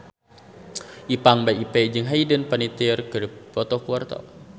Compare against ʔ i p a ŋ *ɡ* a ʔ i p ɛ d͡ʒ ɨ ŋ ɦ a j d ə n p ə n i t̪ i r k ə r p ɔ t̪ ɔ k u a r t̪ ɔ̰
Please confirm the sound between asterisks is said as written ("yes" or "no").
no